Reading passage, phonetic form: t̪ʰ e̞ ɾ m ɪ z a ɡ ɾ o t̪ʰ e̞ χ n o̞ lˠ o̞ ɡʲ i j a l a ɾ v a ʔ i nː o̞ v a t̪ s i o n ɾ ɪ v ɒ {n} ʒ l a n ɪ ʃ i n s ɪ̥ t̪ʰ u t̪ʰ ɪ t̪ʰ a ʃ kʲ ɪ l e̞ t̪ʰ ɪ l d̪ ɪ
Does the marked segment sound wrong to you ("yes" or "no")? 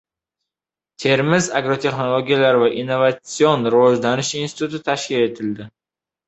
yes